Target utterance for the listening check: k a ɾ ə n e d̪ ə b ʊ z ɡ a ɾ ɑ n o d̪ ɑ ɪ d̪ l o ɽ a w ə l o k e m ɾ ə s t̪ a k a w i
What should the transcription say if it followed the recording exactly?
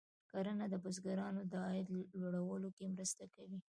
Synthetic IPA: k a ɾ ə n a d̪ ə b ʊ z ɡ a ɾ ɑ n o d̪ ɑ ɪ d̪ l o ɽ a w ə l o k e m ɾ ə s t̪ a k a w i